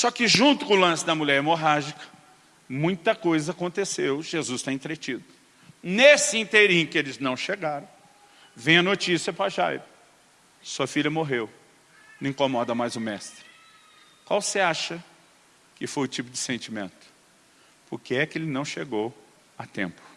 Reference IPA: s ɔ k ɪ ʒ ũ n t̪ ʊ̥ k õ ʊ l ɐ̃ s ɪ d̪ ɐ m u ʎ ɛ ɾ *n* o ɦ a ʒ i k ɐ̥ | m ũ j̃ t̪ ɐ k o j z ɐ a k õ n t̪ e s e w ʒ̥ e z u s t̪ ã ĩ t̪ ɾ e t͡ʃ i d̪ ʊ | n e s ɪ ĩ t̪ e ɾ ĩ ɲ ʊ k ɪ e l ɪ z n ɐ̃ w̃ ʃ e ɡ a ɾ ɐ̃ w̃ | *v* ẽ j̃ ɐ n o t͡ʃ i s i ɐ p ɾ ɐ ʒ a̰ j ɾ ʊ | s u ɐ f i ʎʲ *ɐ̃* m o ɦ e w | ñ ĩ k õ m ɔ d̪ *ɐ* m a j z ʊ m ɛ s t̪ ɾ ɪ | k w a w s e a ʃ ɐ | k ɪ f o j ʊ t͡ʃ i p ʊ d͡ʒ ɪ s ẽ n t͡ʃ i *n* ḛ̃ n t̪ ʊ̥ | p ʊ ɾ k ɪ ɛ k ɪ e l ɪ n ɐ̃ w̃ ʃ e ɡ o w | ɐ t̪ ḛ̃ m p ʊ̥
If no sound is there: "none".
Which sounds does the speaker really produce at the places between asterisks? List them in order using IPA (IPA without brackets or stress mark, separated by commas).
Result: m, v, ɐ, ɐ, m